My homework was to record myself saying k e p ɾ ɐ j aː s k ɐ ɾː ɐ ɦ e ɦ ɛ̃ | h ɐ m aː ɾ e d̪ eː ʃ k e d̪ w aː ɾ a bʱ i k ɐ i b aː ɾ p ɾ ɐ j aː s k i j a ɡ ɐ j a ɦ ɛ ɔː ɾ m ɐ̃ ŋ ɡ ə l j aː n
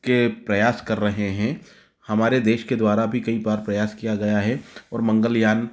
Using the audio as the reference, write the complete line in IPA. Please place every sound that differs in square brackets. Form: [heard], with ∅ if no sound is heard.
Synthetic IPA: k e p ɾ ɐ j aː s k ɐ ɾː ɐ ɦ e ɦ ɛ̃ | h ɐ m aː ɾ e d̪ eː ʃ k e d̪ w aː ɾ a bʱ i k ɐ i b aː ɾ p ɾ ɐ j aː s k i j a ɡ ɐ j a ɦ ɛ ɔː ɾ m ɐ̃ ŋ ɡ ə l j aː n